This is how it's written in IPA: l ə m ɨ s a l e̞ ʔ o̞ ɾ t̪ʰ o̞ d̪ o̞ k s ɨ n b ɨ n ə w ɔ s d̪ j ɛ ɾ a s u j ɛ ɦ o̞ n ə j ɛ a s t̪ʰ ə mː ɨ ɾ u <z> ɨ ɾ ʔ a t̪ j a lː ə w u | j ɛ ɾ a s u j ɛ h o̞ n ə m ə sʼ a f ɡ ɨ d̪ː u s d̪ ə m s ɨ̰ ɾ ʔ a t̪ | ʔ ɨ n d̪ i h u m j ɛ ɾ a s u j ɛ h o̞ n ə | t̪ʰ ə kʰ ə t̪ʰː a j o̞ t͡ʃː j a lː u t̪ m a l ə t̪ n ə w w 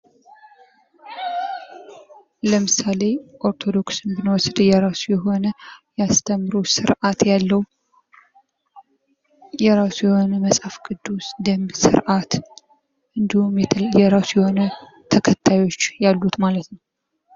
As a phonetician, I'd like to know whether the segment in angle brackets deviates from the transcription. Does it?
yes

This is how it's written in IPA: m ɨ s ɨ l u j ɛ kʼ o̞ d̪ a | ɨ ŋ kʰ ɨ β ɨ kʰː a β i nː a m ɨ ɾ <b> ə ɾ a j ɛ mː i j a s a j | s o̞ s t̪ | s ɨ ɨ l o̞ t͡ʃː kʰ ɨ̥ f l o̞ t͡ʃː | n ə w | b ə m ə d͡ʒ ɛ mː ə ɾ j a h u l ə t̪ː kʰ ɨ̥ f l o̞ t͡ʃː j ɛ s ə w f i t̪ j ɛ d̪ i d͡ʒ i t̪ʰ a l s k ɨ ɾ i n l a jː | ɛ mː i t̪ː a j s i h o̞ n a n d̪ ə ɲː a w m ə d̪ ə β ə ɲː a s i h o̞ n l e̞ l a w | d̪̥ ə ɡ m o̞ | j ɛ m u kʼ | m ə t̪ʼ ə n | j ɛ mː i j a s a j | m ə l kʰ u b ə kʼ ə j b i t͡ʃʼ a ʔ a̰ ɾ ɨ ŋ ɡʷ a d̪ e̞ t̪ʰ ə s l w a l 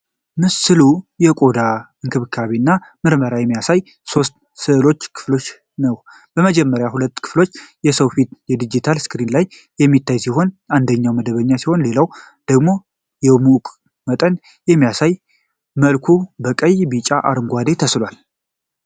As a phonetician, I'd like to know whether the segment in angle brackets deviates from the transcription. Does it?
yes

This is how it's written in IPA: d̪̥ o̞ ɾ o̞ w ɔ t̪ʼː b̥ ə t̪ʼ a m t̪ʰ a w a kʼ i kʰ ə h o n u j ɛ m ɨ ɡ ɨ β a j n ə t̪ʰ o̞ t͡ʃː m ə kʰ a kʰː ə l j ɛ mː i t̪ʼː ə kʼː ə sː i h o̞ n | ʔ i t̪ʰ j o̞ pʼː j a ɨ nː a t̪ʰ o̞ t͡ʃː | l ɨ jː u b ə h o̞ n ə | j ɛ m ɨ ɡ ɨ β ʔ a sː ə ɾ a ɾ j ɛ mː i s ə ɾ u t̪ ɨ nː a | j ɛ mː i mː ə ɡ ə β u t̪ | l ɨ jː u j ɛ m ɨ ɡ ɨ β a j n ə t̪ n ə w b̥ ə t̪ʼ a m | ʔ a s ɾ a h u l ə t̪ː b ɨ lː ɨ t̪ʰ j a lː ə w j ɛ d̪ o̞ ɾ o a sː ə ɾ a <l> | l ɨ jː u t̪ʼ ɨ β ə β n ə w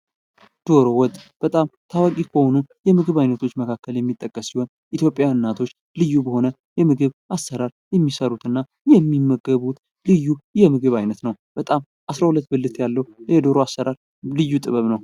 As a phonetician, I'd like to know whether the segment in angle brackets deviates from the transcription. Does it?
yes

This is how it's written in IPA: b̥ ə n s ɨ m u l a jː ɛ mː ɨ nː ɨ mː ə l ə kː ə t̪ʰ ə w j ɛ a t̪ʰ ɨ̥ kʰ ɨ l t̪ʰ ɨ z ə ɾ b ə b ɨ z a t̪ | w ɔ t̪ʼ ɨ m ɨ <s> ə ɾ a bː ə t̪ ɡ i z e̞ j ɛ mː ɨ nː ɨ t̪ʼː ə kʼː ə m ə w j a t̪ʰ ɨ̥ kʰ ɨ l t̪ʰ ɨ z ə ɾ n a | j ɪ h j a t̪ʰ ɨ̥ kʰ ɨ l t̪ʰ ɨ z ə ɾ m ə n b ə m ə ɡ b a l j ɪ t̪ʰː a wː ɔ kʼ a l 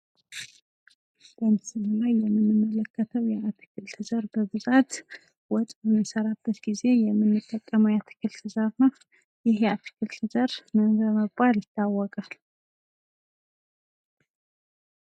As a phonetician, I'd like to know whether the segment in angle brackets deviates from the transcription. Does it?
no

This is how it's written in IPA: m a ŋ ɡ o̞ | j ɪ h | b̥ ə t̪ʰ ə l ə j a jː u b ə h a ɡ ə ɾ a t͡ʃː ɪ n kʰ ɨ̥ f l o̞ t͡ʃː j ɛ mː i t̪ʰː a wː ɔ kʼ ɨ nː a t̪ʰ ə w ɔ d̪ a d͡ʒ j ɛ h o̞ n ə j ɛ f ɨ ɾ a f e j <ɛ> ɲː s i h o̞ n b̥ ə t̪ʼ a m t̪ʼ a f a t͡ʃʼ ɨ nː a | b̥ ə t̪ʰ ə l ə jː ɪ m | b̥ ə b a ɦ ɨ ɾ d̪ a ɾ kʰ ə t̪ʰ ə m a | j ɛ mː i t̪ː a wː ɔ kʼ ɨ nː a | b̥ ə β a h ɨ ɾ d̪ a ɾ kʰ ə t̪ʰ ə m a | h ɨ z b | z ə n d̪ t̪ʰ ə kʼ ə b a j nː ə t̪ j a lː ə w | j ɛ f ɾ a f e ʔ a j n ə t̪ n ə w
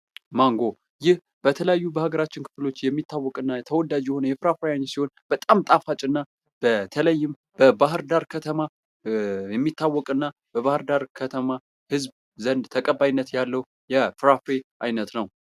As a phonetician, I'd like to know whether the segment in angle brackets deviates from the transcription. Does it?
yes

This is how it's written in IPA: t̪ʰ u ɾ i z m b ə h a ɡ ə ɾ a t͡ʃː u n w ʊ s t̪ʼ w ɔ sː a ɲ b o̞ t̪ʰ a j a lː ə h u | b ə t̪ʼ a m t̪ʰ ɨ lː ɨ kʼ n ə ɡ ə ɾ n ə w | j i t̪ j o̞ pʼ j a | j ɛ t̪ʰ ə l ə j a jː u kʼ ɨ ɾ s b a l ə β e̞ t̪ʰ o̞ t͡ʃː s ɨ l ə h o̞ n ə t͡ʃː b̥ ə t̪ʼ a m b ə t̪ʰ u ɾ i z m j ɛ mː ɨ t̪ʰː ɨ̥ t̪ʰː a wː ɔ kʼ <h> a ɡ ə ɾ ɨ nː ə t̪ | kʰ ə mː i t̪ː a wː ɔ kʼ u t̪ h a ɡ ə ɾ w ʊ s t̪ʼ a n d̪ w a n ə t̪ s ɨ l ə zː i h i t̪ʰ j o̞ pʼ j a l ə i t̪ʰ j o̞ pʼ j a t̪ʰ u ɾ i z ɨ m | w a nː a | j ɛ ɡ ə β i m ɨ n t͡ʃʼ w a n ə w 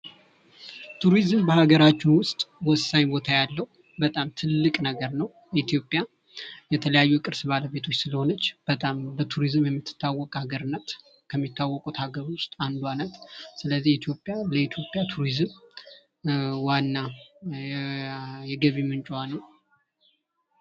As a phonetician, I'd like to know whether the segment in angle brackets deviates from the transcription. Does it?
no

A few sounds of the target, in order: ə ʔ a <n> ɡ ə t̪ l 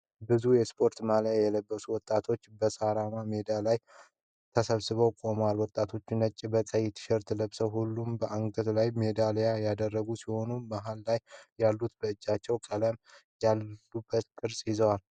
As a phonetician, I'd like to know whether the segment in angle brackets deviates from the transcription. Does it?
yes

